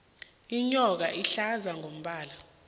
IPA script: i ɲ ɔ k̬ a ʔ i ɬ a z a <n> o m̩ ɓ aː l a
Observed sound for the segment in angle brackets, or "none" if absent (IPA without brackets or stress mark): ŋ